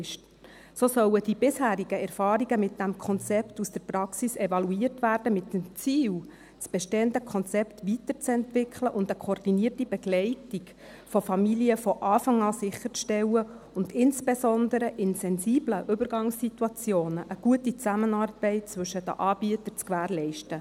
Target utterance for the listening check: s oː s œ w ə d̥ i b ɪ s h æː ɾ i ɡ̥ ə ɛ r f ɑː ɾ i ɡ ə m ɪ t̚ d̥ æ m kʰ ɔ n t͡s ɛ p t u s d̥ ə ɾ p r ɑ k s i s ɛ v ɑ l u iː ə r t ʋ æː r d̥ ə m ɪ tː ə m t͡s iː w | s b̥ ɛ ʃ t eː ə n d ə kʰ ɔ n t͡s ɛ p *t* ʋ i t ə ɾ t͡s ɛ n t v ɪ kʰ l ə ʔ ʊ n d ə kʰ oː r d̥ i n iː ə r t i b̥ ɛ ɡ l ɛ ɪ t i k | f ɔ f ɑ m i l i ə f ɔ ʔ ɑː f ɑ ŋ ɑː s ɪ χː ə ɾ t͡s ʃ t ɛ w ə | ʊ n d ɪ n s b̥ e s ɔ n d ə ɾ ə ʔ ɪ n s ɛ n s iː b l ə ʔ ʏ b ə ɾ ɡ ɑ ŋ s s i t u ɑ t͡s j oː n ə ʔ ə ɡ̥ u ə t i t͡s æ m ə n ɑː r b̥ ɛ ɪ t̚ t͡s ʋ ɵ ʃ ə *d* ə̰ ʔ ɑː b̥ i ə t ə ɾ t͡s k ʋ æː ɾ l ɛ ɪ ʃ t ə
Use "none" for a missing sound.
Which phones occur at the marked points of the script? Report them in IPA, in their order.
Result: t, d

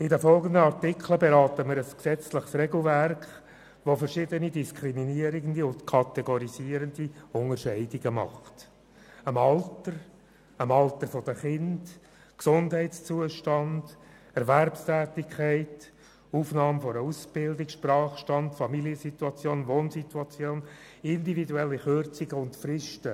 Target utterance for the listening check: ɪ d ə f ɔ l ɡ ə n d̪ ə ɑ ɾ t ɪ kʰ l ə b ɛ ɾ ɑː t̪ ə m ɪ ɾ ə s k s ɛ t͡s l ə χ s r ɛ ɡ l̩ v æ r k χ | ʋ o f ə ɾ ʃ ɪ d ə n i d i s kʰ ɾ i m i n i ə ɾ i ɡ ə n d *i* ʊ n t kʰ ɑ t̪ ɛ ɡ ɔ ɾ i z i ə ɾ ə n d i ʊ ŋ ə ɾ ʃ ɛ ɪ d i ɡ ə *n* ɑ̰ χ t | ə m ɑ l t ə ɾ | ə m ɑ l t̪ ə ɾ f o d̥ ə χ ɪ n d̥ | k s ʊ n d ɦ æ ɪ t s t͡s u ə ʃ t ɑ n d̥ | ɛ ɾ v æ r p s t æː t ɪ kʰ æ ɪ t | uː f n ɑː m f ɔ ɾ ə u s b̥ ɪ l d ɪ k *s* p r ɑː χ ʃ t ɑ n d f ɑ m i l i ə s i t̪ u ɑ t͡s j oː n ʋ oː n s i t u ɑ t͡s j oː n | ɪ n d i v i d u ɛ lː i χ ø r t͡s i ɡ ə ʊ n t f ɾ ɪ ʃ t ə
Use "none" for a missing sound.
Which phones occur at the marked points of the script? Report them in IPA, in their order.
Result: i, m, ʃ

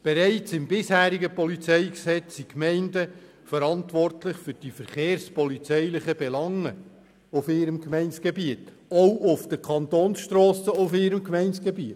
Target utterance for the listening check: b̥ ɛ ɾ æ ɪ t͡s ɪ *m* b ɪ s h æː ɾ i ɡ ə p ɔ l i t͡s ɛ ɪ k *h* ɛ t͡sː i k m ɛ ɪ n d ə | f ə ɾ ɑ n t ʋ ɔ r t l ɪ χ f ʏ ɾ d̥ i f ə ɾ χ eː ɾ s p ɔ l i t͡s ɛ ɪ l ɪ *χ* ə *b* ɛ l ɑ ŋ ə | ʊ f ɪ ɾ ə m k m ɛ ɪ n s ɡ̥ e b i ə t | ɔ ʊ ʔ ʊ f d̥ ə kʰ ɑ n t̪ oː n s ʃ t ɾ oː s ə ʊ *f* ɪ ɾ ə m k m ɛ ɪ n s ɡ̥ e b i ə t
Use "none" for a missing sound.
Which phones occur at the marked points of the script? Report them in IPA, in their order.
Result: m, s, χ, b, f

